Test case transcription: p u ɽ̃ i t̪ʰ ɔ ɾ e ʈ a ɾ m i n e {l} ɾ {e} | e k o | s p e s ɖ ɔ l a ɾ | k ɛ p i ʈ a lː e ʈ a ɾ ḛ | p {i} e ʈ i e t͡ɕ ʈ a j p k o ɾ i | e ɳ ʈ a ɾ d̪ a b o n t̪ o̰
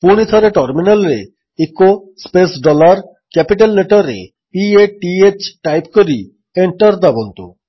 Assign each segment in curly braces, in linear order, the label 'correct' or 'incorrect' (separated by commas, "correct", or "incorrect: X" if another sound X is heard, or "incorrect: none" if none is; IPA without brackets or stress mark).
correct, correct, correct